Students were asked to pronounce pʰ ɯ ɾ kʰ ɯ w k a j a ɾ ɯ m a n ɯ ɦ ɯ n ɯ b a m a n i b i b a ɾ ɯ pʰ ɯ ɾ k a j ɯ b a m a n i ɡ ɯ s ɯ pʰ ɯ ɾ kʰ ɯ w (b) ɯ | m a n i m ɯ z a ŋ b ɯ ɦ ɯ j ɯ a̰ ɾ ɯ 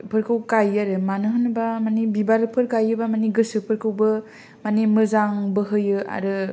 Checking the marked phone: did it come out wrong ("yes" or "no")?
no